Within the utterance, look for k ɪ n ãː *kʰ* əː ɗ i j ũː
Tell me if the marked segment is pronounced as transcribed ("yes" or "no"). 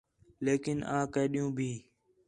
no